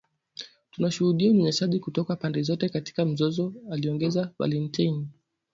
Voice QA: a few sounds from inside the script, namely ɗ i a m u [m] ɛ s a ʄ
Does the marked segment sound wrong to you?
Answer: yes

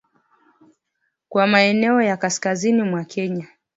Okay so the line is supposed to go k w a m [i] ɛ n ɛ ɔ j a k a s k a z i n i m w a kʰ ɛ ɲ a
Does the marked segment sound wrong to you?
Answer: yes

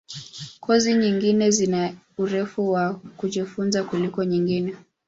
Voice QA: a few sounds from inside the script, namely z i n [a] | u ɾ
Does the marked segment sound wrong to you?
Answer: no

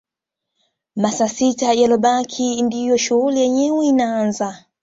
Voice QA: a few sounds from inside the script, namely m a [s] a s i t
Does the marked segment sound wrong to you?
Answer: no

